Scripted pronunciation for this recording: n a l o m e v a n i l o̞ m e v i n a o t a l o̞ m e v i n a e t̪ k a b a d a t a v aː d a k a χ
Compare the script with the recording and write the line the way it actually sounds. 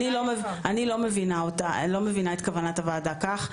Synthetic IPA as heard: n i l o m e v a n i l o̞ m e v i n a o t a l o̞ m e v i n a e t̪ k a v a n a t a v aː d a k a χ